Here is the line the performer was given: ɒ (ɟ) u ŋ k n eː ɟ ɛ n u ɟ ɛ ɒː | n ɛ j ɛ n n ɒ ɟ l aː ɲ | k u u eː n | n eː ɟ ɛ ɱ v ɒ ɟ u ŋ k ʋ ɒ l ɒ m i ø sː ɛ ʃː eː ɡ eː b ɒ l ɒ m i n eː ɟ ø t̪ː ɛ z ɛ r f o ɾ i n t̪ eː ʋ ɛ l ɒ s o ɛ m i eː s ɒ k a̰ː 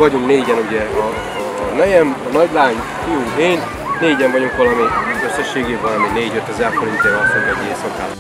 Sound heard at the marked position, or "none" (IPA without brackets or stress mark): ɟ